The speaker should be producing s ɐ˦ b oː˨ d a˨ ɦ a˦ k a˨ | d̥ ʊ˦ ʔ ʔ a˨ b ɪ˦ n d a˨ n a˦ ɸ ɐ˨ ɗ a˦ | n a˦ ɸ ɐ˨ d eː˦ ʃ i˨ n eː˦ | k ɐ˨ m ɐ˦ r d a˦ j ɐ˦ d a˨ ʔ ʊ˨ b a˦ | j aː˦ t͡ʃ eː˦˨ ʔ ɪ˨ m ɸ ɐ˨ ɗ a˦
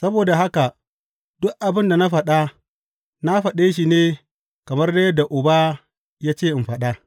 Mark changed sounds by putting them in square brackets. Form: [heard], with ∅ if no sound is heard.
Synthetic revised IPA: s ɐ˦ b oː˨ d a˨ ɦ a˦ k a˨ | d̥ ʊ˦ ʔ ʔ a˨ b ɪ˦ n d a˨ n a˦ ɸ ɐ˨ ɗ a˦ | n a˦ ɸ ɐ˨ [ɗ] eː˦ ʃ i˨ n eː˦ | k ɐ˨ m ɐ˦ r d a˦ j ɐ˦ d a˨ ʔ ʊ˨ b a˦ | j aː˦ t͡ʃ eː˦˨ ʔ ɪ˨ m ɸ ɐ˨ ɗ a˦